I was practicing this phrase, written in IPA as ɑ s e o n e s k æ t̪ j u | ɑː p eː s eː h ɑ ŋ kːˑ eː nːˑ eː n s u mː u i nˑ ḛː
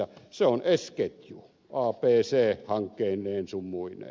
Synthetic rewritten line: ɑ s e o n e s k e t̪ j u | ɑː p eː s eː h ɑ ŋ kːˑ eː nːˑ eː n s u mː u i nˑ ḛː